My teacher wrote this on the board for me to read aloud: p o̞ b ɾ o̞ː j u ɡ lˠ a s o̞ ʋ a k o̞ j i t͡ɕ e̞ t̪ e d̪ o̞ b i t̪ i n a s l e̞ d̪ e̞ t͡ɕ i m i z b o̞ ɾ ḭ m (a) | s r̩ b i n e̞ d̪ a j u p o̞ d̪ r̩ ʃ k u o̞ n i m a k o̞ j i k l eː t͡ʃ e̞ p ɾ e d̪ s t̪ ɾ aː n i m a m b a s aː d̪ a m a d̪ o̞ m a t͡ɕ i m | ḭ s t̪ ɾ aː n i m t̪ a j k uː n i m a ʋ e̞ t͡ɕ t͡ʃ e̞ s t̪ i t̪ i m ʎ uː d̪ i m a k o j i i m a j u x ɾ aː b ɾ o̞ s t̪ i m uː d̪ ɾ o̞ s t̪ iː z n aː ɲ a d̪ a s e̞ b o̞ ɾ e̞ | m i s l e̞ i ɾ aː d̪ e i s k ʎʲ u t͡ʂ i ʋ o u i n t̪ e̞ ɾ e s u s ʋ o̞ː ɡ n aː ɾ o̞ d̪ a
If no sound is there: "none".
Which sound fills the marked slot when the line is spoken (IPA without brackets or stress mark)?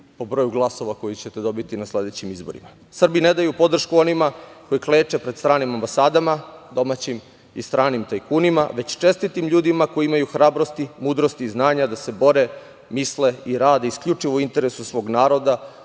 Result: a